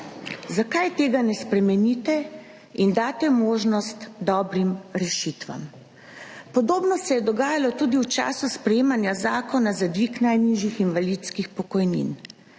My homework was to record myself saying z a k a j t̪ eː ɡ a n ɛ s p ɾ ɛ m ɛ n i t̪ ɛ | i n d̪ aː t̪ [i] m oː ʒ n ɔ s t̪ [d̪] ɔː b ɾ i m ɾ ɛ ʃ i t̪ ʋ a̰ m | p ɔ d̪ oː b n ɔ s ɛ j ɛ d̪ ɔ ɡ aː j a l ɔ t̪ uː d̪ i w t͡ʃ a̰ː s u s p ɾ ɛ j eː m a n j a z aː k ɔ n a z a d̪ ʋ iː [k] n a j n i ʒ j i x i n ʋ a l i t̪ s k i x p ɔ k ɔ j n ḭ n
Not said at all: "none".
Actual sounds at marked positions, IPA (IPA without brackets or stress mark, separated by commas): ɛ, d̪, k